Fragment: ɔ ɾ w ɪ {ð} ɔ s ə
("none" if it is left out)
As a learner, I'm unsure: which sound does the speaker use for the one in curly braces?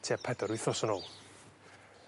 θ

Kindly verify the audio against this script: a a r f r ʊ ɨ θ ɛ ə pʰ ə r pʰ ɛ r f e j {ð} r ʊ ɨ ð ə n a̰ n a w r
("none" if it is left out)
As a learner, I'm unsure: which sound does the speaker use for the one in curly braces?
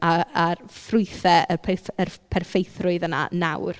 θ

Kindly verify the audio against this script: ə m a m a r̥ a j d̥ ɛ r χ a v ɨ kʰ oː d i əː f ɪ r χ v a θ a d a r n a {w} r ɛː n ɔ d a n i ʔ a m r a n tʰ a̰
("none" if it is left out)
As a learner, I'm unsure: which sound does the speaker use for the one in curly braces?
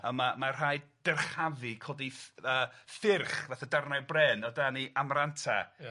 b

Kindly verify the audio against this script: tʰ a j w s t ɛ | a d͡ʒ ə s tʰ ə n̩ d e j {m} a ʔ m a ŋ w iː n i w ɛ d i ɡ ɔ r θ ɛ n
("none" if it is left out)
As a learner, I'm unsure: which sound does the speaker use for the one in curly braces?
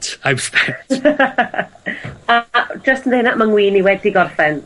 n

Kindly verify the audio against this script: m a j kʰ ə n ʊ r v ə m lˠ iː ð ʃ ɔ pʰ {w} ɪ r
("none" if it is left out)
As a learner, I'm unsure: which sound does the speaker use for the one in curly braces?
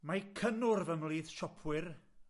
w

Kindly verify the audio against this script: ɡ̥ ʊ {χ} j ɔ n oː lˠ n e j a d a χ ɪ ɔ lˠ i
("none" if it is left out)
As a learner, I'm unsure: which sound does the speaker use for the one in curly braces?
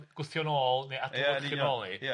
θ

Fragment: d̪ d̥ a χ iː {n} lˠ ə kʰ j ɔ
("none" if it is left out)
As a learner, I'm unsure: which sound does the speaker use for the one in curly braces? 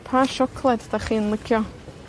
n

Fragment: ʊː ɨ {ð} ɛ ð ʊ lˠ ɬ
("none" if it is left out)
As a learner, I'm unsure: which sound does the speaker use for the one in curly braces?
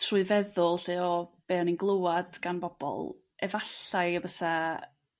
v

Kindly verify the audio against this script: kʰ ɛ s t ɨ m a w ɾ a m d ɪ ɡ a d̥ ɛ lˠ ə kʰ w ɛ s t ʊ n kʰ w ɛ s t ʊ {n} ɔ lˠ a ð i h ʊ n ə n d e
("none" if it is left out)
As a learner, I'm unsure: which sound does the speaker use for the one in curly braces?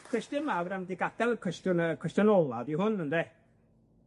n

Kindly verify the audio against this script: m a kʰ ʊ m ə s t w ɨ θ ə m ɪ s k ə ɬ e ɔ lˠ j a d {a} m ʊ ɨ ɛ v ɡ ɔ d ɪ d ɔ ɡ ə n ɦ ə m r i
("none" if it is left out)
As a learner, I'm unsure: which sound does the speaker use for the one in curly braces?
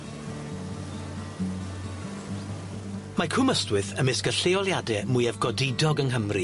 ɛ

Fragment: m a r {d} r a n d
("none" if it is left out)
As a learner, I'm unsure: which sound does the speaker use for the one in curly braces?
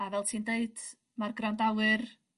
ɡ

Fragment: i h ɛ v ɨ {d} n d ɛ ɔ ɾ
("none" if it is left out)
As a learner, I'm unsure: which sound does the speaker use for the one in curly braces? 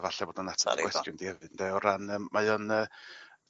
none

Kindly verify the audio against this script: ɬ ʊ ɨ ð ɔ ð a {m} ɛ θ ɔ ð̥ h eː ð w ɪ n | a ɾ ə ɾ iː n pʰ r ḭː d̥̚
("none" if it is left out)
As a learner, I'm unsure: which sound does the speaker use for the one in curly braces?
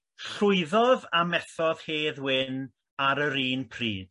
m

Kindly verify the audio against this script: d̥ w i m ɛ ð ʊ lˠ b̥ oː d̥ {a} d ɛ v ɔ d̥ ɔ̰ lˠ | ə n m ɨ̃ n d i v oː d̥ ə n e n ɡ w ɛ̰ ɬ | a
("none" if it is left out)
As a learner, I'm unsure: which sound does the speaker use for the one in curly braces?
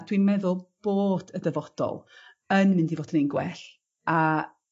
ə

